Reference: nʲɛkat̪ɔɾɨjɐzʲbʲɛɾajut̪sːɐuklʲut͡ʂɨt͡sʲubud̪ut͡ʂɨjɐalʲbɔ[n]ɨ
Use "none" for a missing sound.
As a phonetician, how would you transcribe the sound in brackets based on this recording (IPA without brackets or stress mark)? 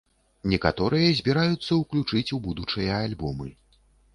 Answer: m